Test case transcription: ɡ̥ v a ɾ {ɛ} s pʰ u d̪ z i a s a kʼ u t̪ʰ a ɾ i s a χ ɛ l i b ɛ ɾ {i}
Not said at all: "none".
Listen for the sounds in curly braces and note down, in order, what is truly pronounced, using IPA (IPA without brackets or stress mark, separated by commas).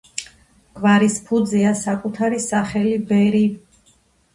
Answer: i, i